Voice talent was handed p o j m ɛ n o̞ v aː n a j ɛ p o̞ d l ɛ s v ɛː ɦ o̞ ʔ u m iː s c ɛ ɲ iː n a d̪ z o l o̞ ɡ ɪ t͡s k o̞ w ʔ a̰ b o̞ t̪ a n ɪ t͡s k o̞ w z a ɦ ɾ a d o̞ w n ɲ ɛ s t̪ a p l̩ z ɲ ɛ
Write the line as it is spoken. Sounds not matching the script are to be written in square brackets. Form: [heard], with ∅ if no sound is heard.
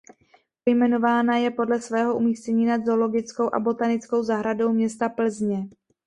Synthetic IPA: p o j m ɛ n o̞ v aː n a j ɛ p o̞ d l ɛ s v ɛː ɦ o̞ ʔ u m iː s c ɛ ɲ iː n a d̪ z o l o̞ ɡ ɪ t͡s k o̞ w ʔ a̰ b o̞ t̪ a n ɪ t͡s k o̞ w z a ɦ ɾ a d o̞ w [m] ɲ ɛ s t̪ a p l̩ z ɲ ɛ